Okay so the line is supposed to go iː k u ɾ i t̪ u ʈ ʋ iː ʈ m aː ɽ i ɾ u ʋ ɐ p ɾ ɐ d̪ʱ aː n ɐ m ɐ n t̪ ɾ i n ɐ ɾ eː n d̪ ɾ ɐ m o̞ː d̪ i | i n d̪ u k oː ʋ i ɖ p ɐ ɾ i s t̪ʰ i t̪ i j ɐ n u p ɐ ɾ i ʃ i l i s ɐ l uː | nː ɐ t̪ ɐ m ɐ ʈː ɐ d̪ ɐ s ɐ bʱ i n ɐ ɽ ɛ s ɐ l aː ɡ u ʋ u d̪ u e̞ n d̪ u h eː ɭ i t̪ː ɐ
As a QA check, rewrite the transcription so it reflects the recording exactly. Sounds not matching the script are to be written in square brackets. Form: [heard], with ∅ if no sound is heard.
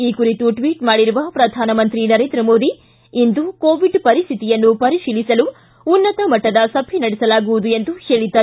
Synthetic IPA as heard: iː k u ɾ i t̪ u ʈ ʋ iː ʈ m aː ɽ i ɾ u ʋ ɐ p ɾ ɐ d̪ʱ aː n ɐ m ɐ n t̪ ɾ i n ɐ ɾ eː n d̪ ɾ ɐ m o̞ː d̪ i | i n d̪ u k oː ʋ i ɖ p ɐ ɾ i s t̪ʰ i t̪ i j ɐ [nː] u p ɐ ɾ i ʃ [iː] l i s ɐ l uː | nː ɐ t̪ ɐ m ɐ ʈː ɐ d̪ ɐ s ɐ bʱ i n ɐ ɽ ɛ s ɐ l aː ɡ u ʋ u d̪ u e̞ n d̪ u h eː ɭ i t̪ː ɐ

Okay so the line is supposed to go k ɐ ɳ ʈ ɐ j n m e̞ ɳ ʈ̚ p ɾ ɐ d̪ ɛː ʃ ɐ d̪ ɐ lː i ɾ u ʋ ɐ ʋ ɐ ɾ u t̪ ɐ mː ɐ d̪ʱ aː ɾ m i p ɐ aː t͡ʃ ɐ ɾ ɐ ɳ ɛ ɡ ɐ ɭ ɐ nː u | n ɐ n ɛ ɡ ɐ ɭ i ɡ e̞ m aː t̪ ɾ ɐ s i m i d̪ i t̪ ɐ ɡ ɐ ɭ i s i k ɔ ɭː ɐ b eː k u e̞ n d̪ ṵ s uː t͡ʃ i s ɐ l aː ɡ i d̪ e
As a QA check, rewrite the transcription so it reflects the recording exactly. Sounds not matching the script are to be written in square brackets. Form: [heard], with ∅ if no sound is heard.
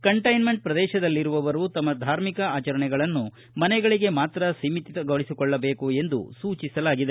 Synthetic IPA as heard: k ɐ ɳ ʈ ɐ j n m e̞ ɳ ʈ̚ p ɾ ɐ d̪ ɛː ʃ ɐ d̪ ɐ lː i ɾ u ʋ ɐ ʋ ɐ ɾ u t̪ ɐ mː ɐ d̪ʱ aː ɾ m i [k] ɐ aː t͡ʃ ɐ ɾ ɐ ɳ ɛ ɡ ɐ ɭ ɐ nː u | [m] ɐ n ɛ ɡ ɐ ɭ i ɡ e̞ m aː t̪ ɾ ɐ s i m i [t̪] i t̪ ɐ ɡ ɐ ɭ i s i k ɔ ɭː ɐ b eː k u e̞ n d̪ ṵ s uː t͡ʃ i s ɐ l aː ɡ i d̪ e

